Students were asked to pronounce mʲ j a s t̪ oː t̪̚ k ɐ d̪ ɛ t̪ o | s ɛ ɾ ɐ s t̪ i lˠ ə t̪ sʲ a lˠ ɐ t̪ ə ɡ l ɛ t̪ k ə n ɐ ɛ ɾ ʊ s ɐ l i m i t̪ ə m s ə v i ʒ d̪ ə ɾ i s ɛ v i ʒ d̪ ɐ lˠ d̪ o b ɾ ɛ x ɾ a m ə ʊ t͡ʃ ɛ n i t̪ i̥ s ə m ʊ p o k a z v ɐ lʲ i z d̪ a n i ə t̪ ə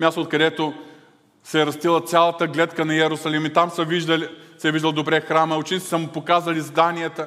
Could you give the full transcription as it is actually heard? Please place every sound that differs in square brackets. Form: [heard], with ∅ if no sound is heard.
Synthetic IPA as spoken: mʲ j a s t̪ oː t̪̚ k ɐ d̪ ɛ t̪ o | s ɛ ɾ ɐ s t̪ i lˠ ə t̪ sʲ a lˠ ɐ t̪ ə ɡ l ɛ t̪ k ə n ɐ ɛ ɾ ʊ s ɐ l i m i t̪ [a] m s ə v i ʒ d̪ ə [l] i s ɛ v i ʒ d̪ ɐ lˠ d̪ o b ɾ ɛ x ɾ a m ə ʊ t͡ʃ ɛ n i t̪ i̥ s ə m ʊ p o k a z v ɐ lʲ i z d̪ a n i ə t̪ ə